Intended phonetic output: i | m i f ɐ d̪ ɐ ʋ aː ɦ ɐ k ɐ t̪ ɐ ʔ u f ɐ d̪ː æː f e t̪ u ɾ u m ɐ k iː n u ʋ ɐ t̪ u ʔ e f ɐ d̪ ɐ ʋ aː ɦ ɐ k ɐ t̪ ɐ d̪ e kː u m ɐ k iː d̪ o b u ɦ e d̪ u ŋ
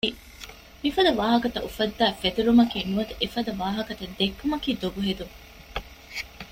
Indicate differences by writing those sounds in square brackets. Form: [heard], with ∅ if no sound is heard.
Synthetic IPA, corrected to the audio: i | m i f ɐ d̪ ɐ ʋ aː ɦ ɐ k ɐ t̪ ɐ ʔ u f ɐ d̪ː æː f e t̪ u ɾ u m ɐ k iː n u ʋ ɐ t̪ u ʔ e f ɐ d̪ ɐ ʋ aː ɦ ɐ k ɐ t̪ ɐ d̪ e kː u m ɐ k iː d̪ o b u ɦ e d̪ u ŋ